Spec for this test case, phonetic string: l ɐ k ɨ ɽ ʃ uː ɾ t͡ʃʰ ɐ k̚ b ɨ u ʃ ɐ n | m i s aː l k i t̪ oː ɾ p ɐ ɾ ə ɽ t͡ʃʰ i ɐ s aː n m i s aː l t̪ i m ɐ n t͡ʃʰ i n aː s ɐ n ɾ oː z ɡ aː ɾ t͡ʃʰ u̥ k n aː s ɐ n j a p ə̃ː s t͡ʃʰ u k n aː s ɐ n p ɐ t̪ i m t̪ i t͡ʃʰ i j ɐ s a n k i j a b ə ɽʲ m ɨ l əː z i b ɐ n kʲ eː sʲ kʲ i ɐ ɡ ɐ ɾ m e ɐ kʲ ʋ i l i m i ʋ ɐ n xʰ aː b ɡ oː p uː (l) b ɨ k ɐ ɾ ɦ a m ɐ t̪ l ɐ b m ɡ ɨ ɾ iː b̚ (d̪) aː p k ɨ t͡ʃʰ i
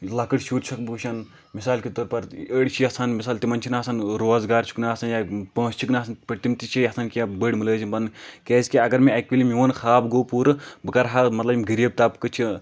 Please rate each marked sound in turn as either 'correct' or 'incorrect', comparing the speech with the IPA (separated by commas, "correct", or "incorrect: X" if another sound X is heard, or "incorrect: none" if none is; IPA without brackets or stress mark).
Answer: incorrect: ɾ, incorrect: t̪